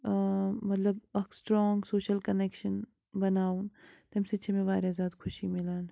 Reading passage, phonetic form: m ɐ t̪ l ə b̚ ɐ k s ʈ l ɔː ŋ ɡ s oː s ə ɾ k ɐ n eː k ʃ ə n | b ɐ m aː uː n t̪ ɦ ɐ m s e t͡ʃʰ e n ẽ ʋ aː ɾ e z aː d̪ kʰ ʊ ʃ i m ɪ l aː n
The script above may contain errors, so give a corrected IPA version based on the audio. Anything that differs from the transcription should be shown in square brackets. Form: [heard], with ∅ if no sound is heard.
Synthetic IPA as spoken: m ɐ t̪ l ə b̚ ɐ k s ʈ [ɾ] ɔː ŋ ɡ s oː [ʃ] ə [l] k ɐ n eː k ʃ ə n | b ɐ [n] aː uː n t̪ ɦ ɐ m s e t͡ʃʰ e [m] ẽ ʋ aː ɾ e z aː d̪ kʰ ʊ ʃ i m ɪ l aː n